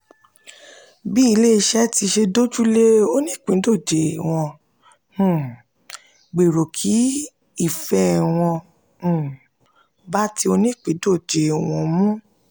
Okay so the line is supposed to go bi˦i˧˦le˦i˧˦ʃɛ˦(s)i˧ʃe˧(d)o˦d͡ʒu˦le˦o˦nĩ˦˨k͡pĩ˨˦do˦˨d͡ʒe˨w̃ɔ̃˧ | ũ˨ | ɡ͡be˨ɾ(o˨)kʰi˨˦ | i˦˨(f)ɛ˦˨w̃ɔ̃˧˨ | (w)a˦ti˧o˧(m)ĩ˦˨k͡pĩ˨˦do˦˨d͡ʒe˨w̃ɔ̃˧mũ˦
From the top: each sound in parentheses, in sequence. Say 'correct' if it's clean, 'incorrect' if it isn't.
incorrect: t, correct, correct, correct, incorrect: b, incorrect: n

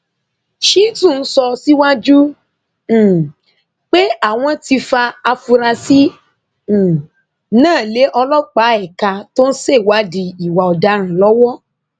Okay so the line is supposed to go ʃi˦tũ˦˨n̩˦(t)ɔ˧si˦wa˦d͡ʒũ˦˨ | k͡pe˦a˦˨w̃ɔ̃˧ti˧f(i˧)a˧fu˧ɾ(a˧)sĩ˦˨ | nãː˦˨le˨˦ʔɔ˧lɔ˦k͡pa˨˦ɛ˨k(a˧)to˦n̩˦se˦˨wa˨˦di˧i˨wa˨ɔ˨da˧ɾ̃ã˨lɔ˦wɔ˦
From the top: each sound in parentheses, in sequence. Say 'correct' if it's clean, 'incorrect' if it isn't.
incorrect: s, incorrect: a˧, correct, correct

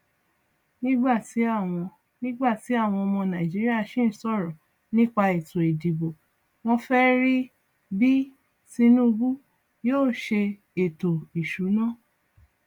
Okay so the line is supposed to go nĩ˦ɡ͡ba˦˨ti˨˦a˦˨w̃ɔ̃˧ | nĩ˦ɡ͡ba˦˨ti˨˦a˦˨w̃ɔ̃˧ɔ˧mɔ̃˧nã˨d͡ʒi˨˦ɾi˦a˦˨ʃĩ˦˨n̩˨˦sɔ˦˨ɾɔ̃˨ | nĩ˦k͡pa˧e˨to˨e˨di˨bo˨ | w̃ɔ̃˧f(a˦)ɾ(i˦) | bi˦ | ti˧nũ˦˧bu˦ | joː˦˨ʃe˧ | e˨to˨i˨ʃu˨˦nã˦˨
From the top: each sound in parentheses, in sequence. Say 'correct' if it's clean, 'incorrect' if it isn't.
incorrect: ɛ˦, correct

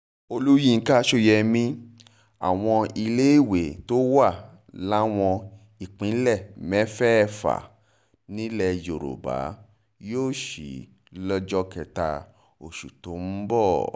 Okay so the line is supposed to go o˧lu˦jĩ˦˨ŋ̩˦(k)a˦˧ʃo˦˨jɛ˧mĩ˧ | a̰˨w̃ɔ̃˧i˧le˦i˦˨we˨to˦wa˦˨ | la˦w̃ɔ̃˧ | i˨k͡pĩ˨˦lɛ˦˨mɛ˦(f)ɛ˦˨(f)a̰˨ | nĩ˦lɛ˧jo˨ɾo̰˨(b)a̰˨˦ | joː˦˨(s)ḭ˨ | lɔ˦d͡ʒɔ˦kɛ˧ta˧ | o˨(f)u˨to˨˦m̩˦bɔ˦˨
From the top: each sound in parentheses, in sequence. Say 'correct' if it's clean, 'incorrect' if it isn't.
correct, correct, correct, correct, incorrect: ʃ, incorrect: ʃ

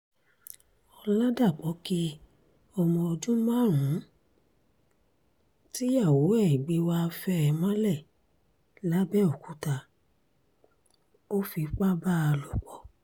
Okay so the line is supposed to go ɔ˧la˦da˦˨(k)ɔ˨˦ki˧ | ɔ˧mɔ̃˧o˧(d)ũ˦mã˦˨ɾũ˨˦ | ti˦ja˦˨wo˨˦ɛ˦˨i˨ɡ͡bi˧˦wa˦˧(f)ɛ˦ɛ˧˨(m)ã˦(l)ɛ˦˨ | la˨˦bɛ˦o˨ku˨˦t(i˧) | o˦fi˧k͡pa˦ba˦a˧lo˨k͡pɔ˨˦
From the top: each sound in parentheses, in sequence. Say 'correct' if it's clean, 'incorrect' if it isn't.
incorrect: k͡p, incorrect: d͡ʒ, correct, correct, correct, incorrect: a˧

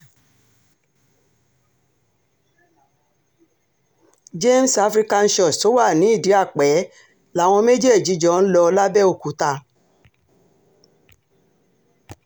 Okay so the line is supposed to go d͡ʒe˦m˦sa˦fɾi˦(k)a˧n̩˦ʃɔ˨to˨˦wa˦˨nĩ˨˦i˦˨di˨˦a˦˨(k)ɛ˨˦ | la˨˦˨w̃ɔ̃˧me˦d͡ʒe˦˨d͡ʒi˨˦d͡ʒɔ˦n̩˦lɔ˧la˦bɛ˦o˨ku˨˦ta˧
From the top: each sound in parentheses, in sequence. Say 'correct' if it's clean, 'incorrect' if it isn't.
correct, incorrect: k͡p

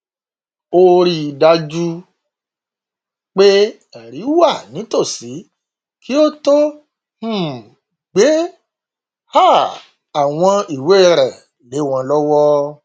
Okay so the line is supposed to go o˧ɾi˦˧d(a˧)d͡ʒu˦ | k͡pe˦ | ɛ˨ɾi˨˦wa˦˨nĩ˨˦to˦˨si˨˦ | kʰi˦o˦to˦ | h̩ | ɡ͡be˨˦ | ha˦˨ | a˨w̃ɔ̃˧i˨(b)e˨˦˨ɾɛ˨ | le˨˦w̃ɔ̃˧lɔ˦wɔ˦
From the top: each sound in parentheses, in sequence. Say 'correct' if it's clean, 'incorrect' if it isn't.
correct, incorrect: w

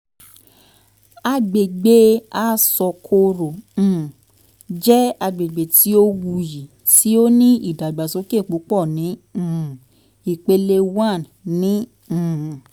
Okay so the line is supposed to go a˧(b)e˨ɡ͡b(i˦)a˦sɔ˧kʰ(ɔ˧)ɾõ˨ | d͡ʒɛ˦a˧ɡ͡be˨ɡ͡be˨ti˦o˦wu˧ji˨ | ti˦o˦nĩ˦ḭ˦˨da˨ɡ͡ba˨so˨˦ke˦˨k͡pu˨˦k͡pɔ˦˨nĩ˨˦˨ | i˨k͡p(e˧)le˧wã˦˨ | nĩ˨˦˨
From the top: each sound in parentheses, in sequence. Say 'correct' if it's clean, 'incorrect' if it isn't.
incorrect: ɡ͡b, incorrect: e˦, incorrect: o˧, correct

